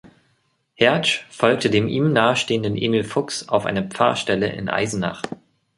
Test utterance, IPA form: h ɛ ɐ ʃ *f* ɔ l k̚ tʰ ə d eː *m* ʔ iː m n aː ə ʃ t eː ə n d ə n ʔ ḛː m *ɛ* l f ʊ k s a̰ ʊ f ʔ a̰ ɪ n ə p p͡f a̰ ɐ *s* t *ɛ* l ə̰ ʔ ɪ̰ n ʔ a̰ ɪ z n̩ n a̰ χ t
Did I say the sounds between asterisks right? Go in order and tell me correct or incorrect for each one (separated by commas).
correct, correct, incorrect, incorrect, correct